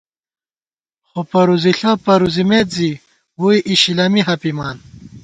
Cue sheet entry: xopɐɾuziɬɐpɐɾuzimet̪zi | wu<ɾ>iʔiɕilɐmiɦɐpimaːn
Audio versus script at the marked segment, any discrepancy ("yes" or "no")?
yes